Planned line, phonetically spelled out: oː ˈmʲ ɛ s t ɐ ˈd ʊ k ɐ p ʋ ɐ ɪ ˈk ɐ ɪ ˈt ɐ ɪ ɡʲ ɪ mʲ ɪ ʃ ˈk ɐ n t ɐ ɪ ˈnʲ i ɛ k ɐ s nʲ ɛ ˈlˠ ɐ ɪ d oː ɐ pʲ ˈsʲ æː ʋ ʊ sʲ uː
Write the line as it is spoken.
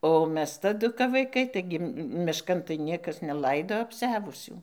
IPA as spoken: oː ˈmʲ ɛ s t ɐ ˈd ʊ k ɐ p ʋ ɐ ɪ ˈk ɐ ɪ ˈt ɐ ɪ ɡʲ ɪ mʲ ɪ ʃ ˈk ɐ n t ɐ ɪ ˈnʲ i ɛ k ɐ s nʲ ɛ ˈlˠ ɐ ɪ d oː ɐ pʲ ˈsʲ æː ʋ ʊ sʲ uː